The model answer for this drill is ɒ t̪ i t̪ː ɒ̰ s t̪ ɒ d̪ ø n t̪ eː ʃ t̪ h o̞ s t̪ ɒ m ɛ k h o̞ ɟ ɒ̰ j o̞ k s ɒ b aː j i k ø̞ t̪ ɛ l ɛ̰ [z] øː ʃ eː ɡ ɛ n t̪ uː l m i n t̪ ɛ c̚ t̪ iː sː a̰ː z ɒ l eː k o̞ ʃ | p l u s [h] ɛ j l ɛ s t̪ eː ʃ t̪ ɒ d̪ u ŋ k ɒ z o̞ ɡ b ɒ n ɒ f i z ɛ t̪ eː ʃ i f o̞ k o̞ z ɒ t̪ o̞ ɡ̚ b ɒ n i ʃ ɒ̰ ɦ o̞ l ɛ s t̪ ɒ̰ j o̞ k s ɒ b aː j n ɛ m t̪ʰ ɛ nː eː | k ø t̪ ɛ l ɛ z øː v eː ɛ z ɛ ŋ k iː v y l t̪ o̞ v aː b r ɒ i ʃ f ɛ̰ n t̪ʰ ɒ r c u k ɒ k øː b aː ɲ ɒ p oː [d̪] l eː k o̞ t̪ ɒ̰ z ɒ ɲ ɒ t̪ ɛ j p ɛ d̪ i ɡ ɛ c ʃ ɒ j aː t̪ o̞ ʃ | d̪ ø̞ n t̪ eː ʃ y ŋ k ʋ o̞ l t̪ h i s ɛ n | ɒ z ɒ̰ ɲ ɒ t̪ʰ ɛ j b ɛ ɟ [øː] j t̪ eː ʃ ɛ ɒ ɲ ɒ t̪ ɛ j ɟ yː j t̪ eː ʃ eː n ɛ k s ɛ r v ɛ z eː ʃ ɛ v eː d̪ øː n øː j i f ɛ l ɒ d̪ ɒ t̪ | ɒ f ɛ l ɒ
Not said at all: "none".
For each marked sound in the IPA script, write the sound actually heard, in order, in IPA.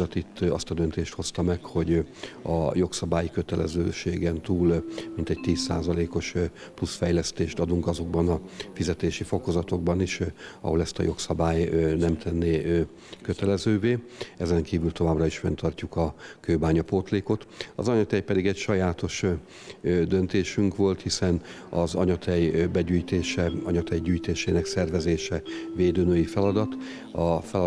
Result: z, f, t̪, yː

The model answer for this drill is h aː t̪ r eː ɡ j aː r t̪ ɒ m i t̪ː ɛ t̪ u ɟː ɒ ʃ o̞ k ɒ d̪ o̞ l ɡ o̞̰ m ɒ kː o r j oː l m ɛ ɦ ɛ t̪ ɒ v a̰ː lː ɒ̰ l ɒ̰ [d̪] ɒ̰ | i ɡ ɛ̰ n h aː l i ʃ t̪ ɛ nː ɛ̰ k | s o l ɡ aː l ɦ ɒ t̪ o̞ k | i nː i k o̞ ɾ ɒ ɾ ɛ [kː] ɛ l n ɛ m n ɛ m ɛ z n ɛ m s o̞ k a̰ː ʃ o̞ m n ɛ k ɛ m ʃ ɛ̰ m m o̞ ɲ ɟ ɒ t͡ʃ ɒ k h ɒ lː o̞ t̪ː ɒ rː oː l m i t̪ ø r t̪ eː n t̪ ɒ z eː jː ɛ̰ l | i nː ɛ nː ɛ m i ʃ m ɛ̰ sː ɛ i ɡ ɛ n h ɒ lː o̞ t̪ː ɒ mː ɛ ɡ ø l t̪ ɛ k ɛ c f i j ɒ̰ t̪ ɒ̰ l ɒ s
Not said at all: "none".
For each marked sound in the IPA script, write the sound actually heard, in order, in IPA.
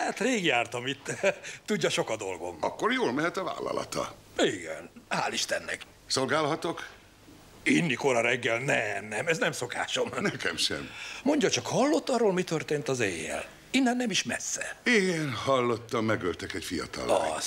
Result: t̪, ɡː

